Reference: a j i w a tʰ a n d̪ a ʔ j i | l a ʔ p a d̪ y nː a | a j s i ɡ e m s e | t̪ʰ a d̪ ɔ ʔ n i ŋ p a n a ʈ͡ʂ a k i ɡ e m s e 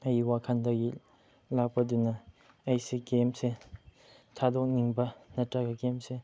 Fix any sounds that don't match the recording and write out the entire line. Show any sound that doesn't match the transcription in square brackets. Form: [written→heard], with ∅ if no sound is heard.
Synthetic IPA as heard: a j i w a [tʰ→kʰ] a n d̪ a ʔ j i | l a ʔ p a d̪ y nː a | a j s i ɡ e m s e | t̪ʰ a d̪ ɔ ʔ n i ŋ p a n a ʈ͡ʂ a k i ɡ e m s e